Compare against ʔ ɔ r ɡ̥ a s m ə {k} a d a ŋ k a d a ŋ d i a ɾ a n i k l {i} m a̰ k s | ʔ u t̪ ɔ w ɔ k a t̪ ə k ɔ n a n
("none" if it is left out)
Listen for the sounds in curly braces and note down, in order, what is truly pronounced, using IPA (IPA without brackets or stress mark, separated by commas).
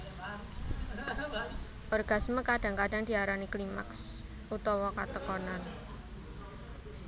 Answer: k, i